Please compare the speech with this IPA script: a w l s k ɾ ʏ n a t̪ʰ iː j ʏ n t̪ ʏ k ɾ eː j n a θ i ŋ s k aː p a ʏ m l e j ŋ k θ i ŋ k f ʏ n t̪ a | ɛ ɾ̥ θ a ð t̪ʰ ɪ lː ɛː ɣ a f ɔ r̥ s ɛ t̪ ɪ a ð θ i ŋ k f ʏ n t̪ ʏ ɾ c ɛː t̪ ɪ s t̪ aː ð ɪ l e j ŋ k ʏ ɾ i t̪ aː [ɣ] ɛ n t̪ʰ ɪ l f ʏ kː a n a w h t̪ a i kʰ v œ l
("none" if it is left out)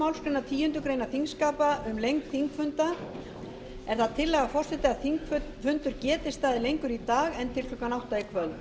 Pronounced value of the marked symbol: ɣ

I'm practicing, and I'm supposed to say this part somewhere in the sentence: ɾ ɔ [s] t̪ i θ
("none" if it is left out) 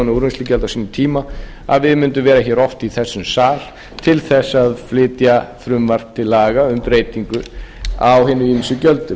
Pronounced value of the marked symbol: f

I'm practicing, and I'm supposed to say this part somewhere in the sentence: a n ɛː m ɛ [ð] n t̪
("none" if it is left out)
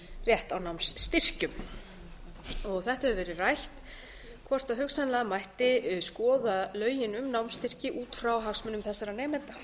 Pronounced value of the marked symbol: none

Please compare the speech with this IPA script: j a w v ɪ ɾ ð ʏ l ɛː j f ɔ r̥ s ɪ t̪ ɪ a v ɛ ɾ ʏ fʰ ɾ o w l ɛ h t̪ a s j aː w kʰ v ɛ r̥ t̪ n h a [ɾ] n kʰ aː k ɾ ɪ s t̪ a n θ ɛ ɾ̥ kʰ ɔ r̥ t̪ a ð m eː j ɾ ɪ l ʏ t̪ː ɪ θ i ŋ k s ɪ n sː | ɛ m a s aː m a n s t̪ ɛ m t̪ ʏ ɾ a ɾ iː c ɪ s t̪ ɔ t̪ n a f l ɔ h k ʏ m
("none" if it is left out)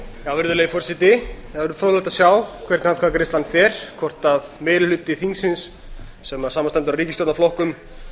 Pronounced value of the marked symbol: none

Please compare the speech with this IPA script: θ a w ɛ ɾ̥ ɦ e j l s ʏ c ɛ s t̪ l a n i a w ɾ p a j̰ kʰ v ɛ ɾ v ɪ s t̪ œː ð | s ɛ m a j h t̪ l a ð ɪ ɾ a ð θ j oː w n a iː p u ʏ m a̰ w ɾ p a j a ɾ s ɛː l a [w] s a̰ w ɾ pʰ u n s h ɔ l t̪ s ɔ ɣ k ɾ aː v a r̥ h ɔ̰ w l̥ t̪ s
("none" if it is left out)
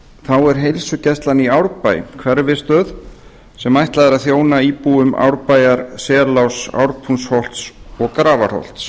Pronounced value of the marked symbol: w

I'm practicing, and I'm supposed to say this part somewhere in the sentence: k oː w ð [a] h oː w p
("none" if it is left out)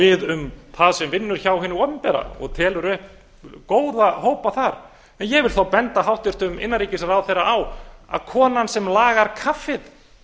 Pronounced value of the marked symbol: a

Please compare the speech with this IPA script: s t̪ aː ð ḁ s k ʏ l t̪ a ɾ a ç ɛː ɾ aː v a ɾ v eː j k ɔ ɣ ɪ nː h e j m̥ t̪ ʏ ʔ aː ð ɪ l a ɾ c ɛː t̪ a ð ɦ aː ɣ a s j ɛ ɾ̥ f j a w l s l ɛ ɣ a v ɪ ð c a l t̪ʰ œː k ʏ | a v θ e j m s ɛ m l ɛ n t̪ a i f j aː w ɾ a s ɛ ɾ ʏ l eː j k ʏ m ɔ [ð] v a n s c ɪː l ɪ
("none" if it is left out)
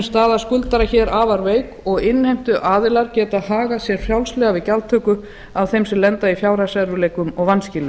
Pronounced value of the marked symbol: ɣ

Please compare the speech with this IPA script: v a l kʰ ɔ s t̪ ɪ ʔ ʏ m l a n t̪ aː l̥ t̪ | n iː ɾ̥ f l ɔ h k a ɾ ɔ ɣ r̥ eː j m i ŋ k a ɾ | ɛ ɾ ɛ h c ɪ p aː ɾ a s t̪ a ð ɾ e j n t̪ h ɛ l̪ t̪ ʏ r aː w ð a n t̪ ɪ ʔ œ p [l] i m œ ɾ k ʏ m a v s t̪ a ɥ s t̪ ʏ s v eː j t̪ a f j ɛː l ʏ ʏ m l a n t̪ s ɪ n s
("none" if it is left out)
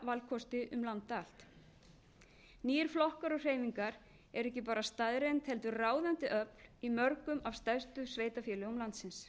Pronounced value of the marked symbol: l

